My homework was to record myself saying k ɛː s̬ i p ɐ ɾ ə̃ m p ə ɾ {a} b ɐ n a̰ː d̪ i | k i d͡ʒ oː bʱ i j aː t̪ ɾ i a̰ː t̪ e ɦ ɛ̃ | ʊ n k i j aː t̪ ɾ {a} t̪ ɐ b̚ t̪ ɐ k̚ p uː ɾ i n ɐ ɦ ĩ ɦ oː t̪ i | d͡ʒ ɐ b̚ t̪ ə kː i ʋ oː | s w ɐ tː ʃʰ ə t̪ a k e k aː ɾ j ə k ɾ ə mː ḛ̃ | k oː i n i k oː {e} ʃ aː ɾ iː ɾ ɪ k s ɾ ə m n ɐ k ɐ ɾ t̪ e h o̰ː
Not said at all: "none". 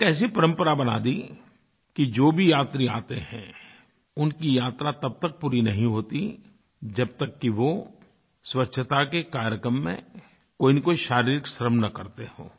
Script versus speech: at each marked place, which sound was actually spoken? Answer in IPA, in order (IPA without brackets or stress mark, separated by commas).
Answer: a, a, i